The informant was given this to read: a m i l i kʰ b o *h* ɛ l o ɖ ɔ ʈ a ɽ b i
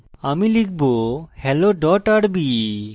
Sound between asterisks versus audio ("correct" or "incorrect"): correct